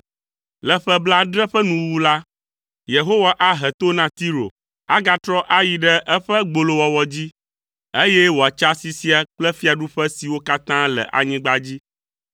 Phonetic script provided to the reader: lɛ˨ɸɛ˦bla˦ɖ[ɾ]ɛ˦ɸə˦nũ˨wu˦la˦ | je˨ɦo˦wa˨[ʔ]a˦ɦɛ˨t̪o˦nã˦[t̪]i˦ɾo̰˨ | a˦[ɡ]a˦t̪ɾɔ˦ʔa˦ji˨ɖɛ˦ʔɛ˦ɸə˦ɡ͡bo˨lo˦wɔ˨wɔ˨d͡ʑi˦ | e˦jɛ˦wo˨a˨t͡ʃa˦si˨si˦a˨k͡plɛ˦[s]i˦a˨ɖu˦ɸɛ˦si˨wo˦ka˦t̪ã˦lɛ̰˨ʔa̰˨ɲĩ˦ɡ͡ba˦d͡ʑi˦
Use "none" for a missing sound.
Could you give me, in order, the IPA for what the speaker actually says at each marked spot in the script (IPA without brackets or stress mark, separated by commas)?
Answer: ɾ, ʔ, t̪, ɡ, f